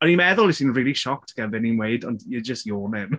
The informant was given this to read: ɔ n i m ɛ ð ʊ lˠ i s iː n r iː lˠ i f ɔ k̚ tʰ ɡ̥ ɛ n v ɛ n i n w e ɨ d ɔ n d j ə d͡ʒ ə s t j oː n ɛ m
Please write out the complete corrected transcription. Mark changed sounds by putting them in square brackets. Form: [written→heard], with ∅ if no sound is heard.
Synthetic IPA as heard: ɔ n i m ɛ ð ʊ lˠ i s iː n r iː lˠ i [f→ʃ] ɔ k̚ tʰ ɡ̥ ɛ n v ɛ n i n w e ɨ d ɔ n d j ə d͡ʒ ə s t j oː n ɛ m